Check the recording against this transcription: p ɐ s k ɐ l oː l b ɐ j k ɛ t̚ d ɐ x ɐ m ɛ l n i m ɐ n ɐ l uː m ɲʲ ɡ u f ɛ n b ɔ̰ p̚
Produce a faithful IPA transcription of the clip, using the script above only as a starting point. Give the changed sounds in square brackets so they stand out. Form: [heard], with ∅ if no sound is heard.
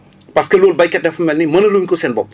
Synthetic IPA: p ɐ s k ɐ l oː l b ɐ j k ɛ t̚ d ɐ [f] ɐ m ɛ l n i m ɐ n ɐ l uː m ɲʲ [k] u [s] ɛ n b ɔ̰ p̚